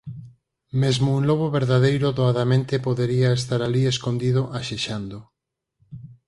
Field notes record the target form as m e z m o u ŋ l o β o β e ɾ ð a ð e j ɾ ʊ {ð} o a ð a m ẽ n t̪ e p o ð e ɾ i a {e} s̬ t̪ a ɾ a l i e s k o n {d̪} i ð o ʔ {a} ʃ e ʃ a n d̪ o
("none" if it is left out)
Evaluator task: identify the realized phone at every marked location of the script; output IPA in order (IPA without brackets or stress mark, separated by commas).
ð, e, d̪, a